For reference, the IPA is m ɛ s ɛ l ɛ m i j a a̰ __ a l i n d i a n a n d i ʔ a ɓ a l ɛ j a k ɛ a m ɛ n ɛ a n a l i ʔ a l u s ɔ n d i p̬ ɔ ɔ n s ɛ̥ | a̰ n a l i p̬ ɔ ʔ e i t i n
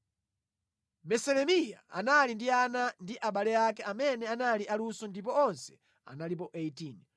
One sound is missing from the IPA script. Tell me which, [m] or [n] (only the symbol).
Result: n